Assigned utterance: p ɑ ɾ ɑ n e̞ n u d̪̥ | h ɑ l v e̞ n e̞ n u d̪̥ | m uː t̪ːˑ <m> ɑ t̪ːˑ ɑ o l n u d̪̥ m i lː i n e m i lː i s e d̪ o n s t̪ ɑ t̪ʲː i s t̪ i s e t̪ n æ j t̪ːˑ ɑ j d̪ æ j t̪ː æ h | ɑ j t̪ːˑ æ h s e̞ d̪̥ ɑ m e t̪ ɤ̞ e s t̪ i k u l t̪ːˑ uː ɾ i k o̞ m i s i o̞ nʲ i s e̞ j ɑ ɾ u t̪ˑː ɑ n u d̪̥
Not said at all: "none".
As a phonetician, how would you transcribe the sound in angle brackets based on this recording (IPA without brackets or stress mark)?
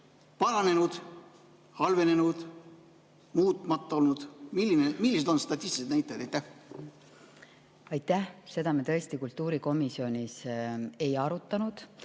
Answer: m